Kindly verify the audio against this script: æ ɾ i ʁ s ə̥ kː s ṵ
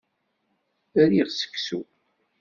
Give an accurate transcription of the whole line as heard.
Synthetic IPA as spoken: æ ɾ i ʁ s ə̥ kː s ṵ